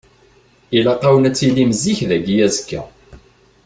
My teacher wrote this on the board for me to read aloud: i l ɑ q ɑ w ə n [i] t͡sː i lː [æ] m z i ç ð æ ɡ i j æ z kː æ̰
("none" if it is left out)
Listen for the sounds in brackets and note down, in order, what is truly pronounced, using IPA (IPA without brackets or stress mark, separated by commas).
æ, i